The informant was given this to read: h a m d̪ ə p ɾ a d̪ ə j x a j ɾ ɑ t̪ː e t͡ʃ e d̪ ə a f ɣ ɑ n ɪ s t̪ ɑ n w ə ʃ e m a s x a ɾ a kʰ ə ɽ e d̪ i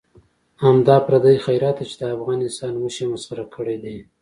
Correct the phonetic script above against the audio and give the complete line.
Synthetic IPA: h a m d̪ ɑ p ɾ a d̪ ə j x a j ɾ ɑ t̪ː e t͡ʃ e d̪ ə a f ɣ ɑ n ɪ s t̪ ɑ n w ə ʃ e m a s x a ɾ a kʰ ə ɽ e d̪ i